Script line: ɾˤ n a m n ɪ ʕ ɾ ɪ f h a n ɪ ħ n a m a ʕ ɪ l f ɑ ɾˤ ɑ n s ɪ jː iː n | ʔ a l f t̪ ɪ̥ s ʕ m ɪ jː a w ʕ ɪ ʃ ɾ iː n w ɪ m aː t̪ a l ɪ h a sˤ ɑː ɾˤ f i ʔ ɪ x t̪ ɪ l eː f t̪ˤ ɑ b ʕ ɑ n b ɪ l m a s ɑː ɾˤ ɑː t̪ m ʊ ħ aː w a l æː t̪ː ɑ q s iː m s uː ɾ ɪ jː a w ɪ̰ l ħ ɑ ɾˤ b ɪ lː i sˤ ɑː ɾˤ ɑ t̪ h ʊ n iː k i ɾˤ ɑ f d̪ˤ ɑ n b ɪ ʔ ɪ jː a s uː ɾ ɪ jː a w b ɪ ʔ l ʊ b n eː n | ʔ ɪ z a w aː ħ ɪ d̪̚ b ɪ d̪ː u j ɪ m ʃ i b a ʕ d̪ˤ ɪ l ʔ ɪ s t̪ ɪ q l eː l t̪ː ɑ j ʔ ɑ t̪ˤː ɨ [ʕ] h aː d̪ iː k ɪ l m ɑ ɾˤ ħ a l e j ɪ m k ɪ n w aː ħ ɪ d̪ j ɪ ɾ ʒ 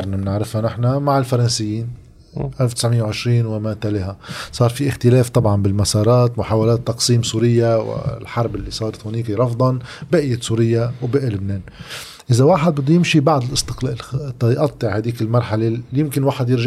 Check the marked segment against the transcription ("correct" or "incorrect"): correct